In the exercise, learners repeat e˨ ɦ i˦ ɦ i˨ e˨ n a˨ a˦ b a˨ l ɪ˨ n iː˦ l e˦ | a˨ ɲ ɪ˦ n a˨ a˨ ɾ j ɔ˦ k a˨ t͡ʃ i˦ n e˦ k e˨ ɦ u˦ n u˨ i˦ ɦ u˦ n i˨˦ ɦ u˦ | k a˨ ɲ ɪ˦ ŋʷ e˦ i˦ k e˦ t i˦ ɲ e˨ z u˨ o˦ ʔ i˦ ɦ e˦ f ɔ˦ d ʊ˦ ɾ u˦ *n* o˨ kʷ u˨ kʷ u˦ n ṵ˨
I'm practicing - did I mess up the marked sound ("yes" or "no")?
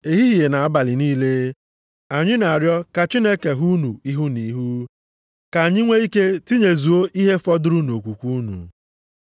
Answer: no